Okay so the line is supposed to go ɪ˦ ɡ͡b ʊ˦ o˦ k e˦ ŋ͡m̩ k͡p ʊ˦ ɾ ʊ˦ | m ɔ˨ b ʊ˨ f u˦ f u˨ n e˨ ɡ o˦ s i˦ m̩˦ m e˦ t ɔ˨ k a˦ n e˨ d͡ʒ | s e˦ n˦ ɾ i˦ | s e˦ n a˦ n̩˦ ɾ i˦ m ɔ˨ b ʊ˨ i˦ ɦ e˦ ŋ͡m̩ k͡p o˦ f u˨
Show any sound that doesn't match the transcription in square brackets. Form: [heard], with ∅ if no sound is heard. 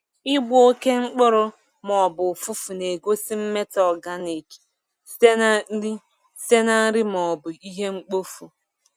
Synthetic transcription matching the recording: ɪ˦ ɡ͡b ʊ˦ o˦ k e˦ ŋ͡m̩ k͡p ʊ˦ ɾ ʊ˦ | m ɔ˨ b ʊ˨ f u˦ f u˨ n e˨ ɡ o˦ s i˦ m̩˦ m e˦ t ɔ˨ [ɡ] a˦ n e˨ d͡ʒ | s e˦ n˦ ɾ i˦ | s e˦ n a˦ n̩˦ ɾ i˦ m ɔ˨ b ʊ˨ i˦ ɦ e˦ ŋ͡m̩ k͡p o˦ f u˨